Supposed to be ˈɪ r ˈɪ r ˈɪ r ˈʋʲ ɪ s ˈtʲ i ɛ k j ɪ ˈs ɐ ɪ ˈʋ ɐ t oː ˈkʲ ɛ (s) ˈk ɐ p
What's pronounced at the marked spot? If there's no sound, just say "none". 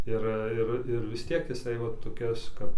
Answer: s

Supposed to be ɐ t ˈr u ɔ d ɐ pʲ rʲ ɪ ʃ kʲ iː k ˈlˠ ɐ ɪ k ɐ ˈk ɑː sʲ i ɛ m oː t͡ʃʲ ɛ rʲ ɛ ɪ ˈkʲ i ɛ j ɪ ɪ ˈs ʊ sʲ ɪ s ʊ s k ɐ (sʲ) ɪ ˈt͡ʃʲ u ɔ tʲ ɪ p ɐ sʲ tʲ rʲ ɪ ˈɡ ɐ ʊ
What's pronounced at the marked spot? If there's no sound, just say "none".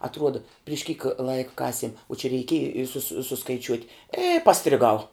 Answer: none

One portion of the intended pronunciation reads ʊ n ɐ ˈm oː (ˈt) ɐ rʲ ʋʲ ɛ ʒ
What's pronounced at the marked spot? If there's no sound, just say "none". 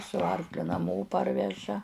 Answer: p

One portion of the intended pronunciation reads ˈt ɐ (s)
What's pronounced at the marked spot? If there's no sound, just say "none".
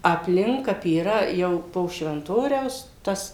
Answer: s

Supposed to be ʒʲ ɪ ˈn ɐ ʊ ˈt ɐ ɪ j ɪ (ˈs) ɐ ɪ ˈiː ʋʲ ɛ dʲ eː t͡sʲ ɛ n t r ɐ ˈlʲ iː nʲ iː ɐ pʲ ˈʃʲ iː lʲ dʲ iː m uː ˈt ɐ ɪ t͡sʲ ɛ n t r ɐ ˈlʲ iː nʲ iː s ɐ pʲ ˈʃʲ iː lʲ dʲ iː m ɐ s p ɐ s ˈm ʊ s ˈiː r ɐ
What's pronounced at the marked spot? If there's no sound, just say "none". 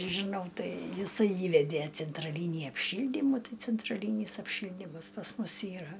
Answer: s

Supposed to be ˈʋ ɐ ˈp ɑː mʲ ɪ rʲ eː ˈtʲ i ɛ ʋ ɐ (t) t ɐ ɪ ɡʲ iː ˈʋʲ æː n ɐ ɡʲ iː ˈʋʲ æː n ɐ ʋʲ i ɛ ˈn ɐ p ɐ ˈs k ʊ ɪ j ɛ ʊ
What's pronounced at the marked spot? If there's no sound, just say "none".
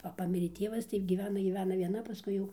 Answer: s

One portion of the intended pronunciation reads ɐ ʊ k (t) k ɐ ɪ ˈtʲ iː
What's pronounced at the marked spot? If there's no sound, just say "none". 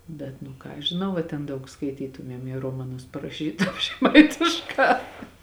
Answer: s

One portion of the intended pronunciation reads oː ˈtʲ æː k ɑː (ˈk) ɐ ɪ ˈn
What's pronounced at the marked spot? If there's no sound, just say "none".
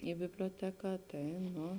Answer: t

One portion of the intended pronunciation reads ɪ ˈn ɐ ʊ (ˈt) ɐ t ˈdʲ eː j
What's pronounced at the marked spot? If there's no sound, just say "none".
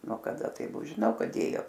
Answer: k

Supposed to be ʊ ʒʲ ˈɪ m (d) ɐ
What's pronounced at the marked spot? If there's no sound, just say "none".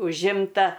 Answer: t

